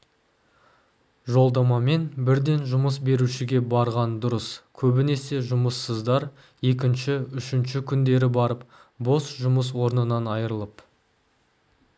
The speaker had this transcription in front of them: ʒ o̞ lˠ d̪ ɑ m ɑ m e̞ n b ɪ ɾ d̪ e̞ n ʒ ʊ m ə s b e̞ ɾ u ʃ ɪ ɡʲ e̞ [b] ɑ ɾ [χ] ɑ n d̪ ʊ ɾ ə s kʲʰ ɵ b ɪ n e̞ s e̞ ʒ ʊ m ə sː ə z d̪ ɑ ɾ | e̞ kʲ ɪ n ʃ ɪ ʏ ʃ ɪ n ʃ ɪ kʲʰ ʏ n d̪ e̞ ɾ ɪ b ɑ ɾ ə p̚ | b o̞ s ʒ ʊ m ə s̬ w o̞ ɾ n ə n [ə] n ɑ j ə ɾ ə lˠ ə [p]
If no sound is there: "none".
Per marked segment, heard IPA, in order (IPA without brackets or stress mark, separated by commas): b, ʁ, ɑ, p